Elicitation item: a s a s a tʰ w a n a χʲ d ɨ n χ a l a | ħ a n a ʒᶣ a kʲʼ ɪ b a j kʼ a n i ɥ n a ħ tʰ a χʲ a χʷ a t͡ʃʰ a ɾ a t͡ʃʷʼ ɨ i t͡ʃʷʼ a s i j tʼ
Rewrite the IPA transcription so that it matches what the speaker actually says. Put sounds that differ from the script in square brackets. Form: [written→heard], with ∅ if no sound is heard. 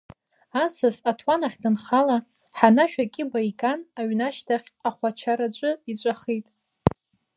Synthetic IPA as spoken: a s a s a tʰ w a n a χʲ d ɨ n χ a l a | ħ a n a [ʒᶣ→ʃᶣ] a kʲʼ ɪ b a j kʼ a n [i→a] ɥ n a [ħ→ʃ] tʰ a χʲ a χʷ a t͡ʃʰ a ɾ a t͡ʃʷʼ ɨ i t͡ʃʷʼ a [s→χ] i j tʼ

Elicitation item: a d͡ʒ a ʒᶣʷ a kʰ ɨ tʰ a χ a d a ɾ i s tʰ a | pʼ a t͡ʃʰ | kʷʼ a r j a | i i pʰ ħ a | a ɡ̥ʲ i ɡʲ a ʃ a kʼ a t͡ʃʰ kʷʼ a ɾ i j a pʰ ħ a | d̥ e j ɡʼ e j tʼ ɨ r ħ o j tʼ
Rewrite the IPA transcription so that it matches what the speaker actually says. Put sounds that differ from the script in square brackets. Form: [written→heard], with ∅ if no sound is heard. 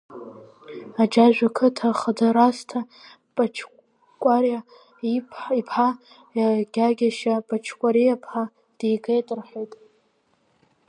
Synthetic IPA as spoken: a d͡ʒ a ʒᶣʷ a kʰ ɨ tʰ a χ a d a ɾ [i→a] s tʰ a | pʼ a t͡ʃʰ | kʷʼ a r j a | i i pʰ ħ a | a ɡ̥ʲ [i→a] ɡʲ a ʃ a [kʼ→pʼ] a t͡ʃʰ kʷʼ a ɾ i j a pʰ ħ a | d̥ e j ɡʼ e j tʼ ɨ r ħ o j tʼ

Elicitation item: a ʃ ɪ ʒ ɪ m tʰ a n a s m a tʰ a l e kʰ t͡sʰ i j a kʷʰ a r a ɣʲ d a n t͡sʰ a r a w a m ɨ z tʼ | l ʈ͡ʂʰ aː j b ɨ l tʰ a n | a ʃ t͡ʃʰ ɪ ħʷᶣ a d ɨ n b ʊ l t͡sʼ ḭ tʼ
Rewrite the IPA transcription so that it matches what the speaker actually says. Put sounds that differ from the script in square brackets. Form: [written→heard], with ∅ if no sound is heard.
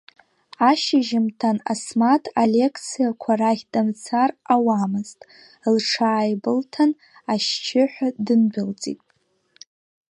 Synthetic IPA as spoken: a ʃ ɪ ʒ ɪ m tʰ a n a s m a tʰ a l e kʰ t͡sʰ i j a kʷʰ a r a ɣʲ d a [n→m] t͡sʰ a r a w a m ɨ z tʼ | l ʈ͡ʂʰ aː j b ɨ l tʰ a n | a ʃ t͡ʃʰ ɪ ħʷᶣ a d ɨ n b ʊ l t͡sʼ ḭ tʼ

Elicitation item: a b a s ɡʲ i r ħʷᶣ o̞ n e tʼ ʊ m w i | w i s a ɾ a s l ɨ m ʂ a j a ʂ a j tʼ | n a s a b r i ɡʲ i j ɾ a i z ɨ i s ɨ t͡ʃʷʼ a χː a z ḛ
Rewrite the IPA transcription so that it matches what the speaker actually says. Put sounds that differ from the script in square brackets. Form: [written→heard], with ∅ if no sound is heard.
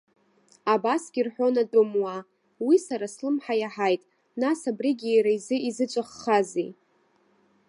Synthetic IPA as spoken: a b a s ɡʲ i r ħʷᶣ o̞ n [e→a] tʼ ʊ m w [i→a] | w i s a ɾ a s l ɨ m [ʂ→ħ] a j a [ʂ→ħ] a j tʼ | n a s a b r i ɡʲ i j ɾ a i z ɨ i [s→z] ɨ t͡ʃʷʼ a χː a z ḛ

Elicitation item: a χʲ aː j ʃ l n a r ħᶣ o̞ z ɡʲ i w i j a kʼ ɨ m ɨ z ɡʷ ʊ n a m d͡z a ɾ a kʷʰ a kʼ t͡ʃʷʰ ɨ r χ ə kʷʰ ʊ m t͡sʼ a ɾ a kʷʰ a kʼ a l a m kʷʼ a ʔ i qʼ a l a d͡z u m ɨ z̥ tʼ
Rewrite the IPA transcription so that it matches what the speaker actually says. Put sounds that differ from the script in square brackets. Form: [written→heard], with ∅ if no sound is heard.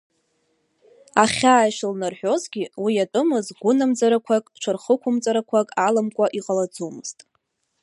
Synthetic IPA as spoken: a χʲ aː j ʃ l n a r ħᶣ o̞ z ɡʲ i w i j a [kʼ→tʼ] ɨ m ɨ z ɡʷ ʊ n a m d͡z a ɾ a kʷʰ a kʼ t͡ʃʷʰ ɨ r χ ə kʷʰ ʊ m t͡sʼ a ɾ a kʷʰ a kʼ a l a m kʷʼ a ʔ i qʼ a l a d͡z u m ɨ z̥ tʼ

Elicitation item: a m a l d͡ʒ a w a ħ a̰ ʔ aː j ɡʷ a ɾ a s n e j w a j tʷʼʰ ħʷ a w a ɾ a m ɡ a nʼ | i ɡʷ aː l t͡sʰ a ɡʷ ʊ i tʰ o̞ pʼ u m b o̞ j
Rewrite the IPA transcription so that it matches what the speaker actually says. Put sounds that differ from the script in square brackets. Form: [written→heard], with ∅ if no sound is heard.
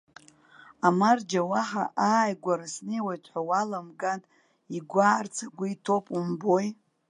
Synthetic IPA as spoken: a m a [l→r] d͡ʒ a w a ħ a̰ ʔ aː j ɡʷ a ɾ a s n e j w a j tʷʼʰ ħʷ a w a [ɾ→l] a m ɡ a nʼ | i ɡʷ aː [l→r] t͡sʰ a ɡʷ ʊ i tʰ o̞ pʼ u m b o̞ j

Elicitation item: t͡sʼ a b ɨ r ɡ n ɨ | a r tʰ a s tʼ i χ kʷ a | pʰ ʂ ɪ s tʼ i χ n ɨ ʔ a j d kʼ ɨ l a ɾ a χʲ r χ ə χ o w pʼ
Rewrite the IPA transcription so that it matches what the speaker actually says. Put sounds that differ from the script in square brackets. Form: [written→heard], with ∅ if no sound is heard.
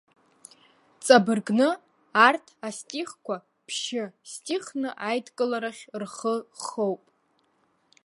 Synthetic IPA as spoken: t͡sʼ a b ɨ r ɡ n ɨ | a r tʰ a s tʼ i χ kʷ a | pʰ [ʂ→ʃ] ɪ s tʼ i χ n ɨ ʔ a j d kʼ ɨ l a ɾ a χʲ r χ ə χ o w pʼ

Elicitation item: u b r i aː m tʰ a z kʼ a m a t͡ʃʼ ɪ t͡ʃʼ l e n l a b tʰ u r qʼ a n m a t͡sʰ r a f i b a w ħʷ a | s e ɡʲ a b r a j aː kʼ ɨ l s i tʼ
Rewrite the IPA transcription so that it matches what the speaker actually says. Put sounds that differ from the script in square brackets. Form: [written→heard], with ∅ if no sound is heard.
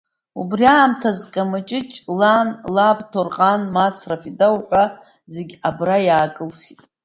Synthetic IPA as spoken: u b r i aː m tʰ a z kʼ a m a t͡ʃʼ ɪ t͡ʃʼ l [e→a] n l a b tʰ [u→o] r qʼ a n m a t͡sʰ r a f i [b→d] a w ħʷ a | [s→z] e ɡʲ a b r a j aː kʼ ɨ l s i tʼ

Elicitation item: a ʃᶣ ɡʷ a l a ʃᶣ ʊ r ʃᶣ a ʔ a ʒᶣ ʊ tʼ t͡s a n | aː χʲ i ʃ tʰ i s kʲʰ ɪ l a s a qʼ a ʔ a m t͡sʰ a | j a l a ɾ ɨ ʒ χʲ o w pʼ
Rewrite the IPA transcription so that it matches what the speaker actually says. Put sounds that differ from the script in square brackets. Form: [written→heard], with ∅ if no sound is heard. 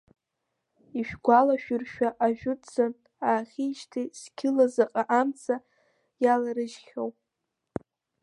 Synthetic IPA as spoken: [a→i] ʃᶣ ɡʷ a l a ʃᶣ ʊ r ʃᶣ a ʔ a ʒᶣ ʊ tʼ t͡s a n | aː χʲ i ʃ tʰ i s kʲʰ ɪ l a [s→z] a qʼ a ʔ a m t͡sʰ a | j a l a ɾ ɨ ʒ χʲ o w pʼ

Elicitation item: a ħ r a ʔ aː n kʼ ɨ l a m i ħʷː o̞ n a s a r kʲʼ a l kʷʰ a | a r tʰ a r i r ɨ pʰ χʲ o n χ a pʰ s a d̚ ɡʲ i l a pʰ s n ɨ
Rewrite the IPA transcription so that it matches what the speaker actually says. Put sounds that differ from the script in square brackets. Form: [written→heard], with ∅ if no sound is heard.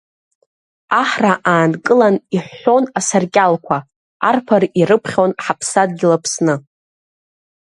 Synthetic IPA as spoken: a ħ r a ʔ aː n kʼ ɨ l a [m→n] i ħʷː o̞ n a s a r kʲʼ a l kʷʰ a | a r [tʰ→pʰ] a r i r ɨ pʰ χʲ o n [χ→ħ] a pʰ s a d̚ ɡʲ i l a pʰ s n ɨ

